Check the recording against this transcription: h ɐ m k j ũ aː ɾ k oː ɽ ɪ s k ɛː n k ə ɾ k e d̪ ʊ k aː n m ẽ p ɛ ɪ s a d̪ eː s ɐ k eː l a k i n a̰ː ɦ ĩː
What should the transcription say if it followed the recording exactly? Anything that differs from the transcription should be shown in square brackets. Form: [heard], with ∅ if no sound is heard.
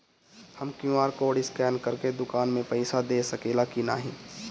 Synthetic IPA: h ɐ m k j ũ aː ɾ k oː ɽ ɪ s k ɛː n k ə ɾ k e d̪ ʊ k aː n m ẽ p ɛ ɪ s a d̪ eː s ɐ k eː l a k i n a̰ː ɦ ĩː